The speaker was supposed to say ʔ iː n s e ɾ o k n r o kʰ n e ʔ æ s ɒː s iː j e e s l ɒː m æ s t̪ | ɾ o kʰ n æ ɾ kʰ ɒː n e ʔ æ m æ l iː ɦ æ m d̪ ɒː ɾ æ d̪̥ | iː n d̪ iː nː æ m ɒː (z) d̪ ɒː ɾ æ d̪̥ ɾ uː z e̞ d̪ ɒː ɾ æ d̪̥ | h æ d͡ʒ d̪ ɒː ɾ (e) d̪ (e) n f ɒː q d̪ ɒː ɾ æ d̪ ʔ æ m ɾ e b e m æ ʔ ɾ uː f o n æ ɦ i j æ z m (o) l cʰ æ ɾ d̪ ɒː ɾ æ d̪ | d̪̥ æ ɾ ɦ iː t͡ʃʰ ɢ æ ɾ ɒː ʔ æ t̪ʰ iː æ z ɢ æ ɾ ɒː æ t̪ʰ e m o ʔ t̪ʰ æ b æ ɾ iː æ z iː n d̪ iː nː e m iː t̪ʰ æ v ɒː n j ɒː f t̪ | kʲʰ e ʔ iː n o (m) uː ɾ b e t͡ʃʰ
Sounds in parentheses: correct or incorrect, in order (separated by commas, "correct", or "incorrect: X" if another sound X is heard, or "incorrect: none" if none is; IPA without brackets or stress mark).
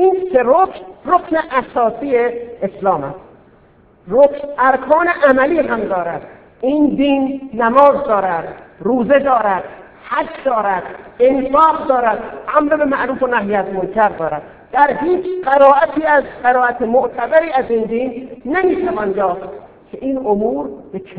correct, incorrect: æ, correct, correct, correct